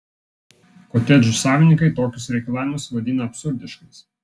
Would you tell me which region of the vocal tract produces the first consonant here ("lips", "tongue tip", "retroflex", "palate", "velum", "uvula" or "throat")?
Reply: velum